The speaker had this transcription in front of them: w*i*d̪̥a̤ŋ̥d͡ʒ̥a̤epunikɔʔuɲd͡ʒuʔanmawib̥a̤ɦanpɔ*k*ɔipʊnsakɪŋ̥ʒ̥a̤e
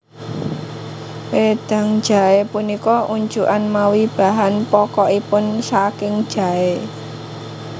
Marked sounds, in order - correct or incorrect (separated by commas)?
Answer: incorrect, correct